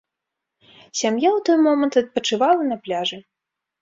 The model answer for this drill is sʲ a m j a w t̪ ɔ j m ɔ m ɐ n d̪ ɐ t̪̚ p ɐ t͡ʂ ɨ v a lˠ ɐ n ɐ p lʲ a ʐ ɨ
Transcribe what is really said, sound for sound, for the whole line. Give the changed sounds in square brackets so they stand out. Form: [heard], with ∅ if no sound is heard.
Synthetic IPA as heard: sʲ a m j a w t̪ ɔ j m ɔ m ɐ n [t̪] ɐ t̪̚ p ɐ t͡ʂ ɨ v a lˠ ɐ n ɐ p lʲ a ʐ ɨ